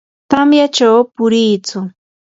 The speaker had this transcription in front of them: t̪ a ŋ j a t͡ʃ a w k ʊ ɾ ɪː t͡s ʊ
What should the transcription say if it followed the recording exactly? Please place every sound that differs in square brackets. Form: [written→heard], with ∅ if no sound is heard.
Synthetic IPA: t̪ a [ŋ→m] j a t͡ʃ a w [k→p] ʊ ɾ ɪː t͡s ʊ

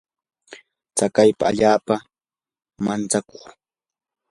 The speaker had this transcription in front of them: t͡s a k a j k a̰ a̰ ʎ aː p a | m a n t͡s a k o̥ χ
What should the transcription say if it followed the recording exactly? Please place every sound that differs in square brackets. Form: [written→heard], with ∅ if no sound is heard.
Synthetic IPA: t͡s a k a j [k→p] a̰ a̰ ʎ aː p a | m a n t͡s a k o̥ χ

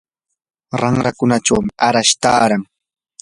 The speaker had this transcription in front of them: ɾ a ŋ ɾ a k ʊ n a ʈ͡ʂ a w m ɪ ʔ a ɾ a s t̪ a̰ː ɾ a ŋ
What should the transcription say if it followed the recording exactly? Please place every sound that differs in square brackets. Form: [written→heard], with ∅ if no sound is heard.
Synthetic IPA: ɾ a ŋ ɾ a k ʊ n a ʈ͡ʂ a w m ɪ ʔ a ɾ a [s→ʃ] t̪ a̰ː ɾ a ŋ

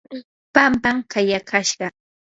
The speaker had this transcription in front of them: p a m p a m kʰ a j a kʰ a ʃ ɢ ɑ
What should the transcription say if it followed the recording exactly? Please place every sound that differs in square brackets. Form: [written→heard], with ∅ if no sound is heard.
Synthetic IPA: p a m p a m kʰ a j a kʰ a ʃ ɢ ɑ

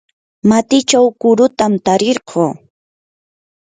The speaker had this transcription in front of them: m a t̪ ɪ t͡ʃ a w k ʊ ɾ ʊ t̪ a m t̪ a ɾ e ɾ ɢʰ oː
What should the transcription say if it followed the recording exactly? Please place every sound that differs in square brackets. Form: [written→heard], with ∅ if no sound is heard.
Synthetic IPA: m a t̪ ɪ t͡ʃ a w k ʊ ɾ ʊ t̪ a m t̪ a ɾ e ɾ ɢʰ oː

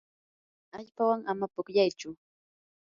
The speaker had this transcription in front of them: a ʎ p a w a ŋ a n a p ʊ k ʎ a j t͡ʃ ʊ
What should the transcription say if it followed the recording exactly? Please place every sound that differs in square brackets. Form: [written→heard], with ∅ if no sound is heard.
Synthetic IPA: a ʎ p a w a ŋ a [n→m] a p ʊ k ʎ a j t͡ʃ ʊ

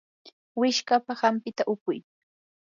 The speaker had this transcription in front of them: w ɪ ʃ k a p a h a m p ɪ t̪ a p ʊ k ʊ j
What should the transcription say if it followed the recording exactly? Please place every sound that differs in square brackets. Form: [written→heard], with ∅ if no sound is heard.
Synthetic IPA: w ɪ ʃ k a p a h a m p ɪ t̪ a [p→ʔ] ʊ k ʊ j

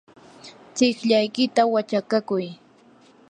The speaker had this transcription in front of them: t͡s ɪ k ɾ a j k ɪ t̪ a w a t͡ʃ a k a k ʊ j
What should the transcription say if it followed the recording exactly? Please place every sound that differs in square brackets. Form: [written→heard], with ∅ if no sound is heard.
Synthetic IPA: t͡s ɪ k [ɾ→ʎ] a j k ɪ t̪ a w a t͡ʃ a k a k ʊ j

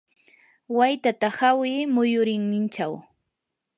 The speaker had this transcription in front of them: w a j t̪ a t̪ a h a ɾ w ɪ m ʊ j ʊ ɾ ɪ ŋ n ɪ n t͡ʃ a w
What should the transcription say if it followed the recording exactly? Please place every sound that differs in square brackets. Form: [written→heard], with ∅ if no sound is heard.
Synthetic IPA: w a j t̪ a t̪ a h a [ɾ→∅] w ɪ m ʊ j ʊ ɾ ɪ ŋ n ɪ n t͡ʃ a w

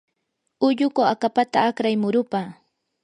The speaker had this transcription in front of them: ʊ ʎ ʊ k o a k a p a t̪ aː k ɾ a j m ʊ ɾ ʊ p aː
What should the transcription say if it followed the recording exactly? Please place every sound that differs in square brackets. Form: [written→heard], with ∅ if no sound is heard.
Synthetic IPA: ʊ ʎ ʊ k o a k a p a t̪ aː k ɾ a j m ʊ ɾ ʊ p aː

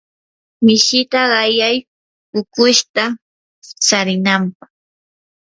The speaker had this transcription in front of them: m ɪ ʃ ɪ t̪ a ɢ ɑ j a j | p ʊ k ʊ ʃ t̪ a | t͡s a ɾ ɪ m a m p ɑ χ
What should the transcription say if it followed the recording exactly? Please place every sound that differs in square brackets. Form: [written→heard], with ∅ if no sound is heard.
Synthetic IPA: m ɪ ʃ ɪ t̪ a ɢ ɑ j a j | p ʊ k ʊ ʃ t̪ a | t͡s a ɾ ɪ [m→n] a m p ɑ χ

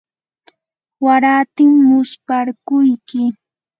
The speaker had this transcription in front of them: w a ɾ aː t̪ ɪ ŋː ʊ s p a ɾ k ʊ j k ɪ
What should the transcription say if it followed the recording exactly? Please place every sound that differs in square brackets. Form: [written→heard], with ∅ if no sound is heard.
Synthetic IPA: w a ɾ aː t̪ ɪ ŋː ʊ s p a ɾ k ʊ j k ɪ

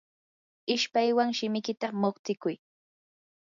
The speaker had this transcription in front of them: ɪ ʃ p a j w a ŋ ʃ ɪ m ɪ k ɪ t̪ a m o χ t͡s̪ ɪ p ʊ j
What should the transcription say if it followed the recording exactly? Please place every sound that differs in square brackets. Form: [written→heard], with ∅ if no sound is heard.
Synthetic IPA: ɪ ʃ p a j w a ŋ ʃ ɪ m ɪ k ɪ t̪ a m o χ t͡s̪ ɪ [p→k] ʊ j

